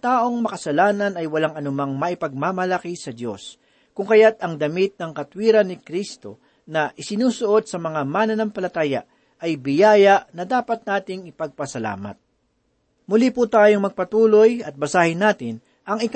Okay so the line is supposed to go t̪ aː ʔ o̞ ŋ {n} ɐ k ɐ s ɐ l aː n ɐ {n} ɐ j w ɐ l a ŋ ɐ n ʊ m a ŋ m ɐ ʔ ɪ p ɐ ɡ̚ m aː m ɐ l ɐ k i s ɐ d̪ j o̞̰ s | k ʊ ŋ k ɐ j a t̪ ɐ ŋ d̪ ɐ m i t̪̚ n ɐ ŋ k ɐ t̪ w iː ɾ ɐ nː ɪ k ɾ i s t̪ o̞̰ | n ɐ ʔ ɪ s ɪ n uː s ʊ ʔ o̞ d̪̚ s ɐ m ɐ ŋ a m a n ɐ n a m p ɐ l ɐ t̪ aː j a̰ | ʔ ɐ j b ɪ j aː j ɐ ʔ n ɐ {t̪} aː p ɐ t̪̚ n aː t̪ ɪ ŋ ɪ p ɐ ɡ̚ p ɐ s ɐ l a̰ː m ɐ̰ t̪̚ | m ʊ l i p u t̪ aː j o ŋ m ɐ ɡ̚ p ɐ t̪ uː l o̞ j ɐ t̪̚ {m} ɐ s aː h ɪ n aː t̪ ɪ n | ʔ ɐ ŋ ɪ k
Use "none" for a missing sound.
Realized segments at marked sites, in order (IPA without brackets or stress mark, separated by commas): m, n, d̪, b